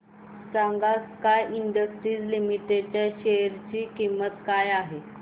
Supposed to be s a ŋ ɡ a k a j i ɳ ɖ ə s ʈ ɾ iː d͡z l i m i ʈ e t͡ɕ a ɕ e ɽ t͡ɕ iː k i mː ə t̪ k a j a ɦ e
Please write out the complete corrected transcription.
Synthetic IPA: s a ŋ ɡ a k a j i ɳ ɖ ə s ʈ ɾ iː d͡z l i m i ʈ e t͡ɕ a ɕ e ɾ t͡ɕ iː k i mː ə t̪ k a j a ɦ e

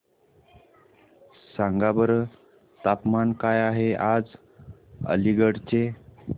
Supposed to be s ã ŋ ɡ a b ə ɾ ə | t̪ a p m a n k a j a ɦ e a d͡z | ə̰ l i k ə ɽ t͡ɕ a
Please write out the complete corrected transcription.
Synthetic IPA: s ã ŋ ɡ a b ə ɾ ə | t̪ a p m a n k a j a ɦ e a d͡z | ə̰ l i ɡ ə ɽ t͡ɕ e

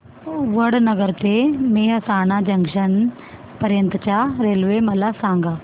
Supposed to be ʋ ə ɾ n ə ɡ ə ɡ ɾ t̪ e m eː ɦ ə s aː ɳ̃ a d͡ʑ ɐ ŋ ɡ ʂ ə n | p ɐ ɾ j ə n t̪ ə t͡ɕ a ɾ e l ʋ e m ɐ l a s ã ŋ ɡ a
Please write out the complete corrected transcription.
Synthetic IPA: ʋ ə ɽ n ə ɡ ə ɾ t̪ e m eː ɦ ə s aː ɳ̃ a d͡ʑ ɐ ŋ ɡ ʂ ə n | p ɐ ɾ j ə n t̪ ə t͡ɕ a ɾ e l ʋ e m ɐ l a s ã ŋ ɡ a

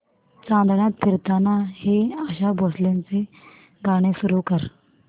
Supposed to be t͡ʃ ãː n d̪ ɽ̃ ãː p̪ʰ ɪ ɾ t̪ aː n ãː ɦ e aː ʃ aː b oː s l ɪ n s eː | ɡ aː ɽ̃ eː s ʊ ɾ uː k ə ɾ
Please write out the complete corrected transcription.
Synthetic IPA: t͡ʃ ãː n d̪ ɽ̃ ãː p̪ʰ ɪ ɾ t̪ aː n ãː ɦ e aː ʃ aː b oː s l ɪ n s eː | ɡ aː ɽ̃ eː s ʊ ɾ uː k ə ɾ

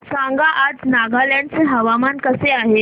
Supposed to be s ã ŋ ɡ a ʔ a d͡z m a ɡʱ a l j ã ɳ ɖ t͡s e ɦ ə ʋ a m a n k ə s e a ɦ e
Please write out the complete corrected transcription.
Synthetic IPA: s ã ŋ ɡ a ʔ a d͡z n a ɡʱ a l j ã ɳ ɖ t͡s e ɦ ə ʋ a m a n k ə s e a ɦ e

